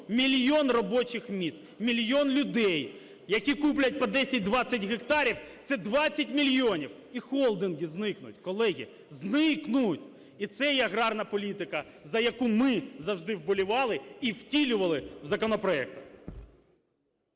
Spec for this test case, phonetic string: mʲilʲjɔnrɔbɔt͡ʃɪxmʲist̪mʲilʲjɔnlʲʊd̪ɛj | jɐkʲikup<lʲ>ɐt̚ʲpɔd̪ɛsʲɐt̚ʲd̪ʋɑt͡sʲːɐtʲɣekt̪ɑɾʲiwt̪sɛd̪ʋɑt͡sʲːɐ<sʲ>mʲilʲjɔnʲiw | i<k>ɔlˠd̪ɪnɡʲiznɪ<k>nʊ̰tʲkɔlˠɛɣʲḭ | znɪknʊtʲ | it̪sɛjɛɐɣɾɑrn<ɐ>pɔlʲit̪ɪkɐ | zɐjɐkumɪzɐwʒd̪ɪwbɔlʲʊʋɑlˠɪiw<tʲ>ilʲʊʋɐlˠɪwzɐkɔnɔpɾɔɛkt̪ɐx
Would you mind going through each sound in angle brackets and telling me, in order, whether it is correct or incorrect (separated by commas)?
correct, incorrect, incorrect, correct, correct, correct